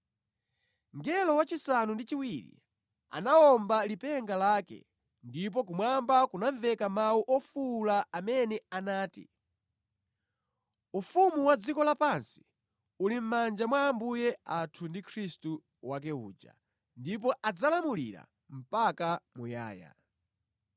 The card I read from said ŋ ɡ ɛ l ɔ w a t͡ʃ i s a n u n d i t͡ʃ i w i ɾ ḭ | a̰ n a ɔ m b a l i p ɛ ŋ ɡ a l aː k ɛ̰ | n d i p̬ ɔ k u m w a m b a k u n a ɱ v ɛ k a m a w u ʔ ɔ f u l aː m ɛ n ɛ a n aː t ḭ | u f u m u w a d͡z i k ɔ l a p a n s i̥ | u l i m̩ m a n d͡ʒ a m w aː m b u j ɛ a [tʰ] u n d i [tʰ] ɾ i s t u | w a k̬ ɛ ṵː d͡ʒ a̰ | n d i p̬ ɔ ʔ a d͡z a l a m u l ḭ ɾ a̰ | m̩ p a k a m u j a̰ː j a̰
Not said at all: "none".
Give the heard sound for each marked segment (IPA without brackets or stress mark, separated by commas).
tʰ, kʰ